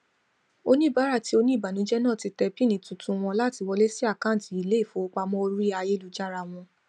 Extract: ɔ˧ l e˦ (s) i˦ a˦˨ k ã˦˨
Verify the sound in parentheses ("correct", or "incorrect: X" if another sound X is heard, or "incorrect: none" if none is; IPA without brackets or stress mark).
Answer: correct